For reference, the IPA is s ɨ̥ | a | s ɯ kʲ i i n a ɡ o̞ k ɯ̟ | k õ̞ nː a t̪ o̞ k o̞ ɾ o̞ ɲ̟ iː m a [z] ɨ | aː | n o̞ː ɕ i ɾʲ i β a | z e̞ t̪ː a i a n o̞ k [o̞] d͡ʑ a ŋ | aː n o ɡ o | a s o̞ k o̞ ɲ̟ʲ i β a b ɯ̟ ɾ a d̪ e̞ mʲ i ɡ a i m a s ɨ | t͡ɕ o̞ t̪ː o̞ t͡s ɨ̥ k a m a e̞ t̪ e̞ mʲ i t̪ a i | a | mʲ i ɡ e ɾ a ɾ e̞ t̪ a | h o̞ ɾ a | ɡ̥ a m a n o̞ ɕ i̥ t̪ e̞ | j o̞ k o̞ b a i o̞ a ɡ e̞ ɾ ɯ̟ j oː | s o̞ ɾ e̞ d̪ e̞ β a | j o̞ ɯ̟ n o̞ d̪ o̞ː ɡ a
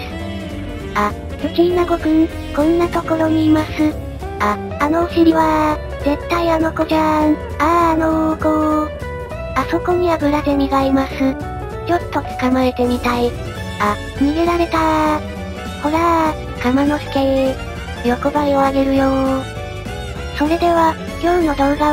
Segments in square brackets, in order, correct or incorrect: incorrect: s, correct

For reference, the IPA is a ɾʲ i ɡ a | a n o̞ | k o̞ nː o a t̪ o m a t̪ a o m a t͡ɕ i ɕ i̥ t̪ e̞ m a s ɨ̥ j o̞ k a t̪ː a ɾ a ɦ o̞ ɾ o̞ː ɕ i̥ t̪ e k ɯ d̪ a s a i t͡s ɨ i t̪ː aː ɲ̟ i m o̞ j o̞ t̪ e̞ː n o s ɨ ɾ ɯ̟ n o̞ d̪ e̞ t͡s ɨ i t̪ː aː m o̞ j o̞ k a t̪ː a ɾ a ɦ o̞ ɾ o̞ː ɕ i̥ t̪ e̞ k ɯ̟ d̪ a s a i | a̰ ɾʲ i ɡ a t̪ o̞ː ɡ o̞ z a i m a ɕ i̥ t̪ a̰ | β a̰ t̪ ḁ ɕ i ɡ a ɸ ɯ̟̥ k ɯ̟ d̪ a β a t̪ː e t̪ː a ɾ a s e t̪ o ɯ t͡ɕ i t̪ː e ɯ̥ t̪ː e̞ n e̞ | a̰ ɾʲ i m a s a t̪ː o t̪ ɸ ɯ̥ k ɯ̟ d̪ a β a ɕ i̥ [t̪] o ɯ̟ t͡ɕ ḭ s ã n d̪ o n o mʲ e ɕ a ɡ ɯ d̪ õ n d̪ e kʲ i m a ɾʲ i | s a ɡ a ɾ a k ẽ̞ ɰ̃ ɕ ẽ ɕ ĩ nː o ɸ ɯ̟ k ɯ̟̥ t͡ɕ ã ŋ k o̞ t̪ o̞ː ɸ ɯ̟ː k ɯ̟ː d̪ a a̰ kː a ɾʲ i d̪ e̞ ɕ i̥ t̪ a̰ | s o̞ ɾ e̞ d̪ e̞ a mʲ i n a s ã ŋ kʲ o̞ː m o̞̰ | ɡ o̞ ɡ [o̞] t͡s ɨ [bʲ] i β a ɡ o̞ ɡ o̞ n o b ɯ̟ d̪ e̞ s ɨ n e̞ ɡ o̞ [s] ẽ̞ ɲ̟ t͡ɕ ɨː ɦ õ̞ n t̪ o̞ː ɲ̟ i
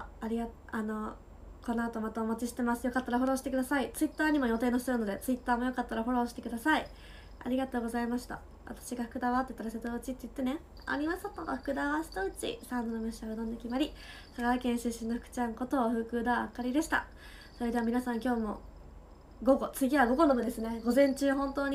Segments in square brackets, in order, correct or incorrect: correct, correct, incorrect: ɡʲ, incorrect: z

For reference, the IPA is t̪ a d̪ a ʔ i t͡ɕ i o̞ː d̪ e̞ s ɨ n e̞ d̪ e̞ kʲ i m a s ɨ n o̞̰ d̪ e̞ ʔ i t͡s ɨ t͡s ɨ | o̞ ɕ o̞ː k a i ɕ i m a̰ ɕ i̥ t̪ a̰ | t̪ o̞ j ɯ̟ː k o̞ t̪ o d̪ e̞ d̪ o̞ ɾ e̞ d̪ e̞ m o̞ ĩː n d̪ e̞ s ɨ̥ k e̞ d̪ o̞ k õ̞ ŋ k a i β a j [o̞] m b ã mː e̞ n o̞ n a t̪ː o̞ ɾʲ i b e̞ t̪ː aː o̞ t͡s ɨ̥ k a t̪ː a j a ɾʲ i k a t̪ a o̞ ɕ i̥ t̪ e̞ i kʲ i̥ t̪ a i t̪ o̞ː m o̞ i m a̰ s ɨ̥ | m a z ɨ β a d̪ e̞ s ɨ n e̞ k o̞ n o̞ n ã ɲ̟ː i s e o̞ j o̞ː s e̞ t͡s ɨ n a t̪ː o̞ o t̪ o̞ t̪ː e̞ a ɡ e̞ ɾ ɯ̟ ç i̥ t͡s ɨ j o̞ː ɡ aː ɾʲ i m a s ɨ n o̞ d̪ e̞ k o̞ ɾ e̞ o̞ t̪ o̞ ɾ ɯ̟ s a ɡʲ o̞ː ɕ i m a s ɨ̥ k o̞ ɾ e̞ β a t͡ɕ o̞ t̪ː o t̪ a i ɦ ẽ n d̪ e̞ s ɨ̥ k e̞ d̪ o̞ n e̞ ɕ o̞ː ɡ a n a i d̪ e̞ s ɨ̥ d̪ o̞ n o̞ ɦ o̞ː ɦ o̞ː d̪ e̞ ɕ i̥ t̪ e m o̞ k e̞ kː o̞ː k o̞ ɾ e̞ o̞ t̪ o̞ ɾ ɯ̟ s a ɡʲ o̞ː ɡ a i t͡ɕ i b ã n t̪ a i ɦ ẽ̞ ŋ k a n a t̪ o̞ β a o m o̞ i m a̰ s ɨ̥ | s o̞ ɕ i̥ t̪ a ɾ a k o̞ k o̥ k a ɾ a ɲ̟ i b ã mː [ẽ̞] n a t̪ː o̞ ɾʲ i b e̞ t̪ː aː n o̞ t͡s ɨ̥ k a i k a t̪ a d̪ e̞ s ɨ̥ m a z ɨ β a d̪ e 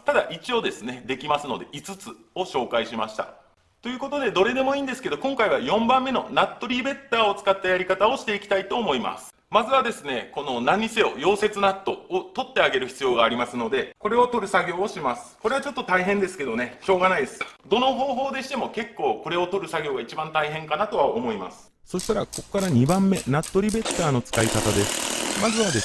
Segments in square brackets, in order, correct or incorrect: incorrect: õ̞, incorrect: e̞

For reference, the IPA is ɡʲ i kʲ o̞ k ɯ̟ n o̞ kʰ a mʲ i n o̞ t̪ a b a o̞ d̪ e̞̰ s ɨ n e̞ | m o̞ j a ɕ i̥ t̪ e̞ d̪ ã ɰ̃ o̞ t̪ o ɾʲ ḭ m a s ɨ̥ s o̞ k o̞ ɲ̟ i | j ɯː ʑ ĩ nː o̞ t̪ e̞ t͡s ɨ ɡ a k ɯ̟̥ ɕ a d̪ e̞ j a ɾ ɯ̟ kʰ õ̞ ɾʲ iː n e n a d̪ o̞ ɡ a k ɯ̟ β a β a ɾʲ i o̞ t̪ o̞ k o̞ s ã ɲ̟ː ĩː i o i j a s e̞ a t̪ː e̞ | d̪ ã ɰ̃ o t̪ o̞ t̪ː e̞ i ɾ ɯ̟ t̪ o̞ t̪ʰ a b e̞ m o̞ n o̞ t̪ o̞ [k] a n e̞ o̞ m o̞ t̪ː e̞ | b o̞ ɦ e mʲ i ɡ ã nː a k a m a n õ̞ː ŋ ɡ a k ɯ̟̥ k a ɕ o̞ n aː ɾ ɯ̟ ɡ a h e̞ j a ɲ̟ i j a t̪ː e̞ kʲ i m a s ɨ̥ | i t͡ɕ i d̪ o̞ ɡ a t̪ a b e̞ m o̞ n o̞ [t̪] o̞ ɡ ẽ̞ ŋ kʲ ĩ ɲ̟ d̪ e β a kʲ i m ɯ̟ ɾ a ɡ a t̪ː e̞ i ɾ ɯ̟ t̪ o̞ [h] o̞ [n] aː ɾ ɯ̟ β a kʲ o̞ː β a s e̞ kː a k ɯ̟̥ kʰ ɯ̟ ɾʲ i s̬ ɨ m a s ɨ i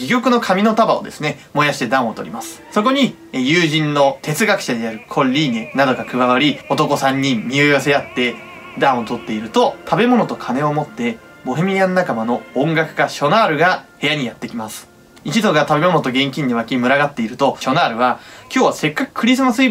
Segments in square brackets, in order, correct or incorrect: incorrect: kʰ, correct, incorrect: ɕ, correct

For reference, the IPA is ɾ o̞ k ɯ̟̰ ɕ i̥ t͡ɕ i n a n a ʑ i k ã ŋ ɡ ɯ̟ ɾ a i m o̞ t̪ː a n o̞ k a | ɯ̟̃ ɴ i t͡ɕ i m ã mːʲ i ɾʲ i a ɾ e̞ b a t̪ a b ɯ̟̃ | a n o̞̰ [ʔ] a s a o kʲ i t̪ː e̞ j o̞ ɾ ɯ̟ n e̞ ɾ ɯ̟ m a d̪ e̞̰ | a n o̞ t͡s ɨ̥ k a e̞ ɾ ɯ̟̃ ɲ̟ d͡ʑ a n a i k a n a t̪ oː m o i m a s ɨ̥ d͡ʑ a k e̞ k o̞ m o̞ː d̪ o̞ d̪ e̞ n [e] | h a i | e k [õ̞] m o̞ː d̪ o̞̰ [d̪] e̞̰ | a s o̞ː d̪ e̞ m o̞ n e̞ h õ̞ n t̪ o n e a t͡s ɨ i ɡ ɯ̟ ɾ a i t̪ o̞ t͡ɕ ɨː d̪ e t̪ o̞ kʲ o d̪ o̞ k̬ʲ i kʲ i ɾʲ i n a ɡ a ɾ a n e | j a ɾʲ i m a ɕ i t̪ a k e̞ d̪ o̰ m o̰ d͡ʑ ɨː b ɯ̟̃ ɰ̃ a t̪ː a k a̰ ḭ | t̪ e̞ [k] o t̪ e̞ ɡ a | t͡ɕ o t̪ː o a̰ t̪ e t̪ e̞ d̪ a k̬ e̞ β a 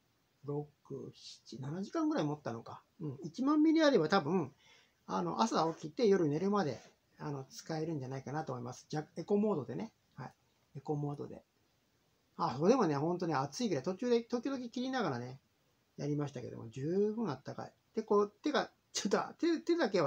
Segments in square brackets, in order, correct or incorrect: correct, correct, incorrect: o̞, correct, correct

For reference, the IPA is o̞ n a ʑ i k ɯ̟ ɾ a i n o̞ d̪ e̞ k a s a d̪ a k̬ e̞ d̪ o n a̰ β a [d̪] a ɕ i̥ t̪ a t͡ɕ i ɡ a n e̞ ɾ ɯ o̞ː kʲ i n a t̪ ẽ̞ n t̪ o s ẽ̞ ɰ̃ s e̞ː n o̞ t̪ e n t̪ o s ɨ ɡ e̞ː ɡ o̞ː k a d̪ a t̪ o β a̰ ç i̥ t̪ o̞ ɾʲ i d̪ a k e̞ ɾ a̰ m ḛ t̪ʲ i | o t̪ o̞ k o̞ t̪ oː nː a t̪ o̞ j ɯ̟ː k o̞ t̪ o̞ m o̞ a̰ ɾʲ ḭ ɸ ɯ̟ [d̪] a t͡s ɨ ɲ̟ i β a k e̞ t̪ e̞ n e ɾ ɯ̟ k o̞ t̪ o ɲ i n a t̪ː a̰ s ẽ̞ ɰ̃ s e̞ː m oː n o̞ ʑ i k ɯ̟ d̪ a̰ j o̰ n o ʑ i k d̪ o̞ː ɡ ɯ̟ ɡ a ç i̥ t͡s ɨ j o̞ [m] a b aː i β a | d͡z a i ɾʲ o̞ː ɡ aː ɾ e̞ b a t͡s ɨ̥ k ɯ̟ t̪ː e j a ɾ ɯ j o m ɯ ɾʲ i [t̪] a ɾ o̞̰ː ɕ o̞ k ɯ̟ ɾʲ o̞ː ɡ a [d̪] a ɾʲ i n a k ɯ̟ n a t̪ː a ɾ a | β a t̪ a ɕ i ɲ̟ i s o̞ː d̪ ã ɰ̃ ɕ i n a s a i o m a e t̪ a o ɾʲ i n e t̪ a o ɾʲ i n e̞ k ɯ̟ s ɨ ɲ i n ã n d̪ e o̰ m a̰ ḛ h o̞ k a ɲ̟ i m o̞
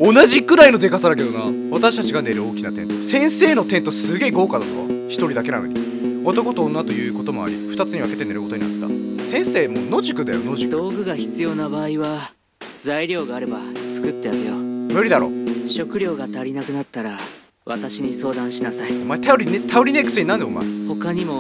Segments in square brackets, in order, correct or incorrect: incorrect: t̪, incorrect: t̪, incorrect: n, incorrect: d̪, incorrect: t̪

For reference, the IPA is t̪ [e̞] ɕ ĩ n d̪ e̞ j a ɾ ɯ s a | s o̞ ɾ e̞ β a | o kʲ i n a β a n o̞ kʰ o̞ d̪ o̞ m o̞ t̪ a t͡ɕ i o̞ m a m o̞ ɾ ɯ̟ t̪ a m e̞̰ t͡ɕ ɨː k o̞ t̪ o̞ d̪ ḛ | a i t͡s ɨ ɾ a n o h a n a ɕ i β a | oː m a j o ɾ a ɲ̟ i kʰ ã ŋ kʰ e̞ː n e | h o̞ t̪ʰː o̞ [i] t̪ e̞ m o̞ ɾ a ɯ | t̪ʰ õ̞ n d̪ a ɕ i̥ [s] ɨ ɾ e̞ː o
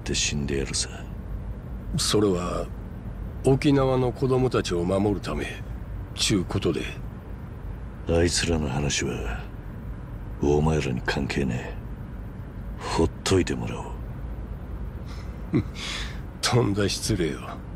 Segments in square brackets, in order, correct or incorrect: correct, correct, incorrect: t͡s

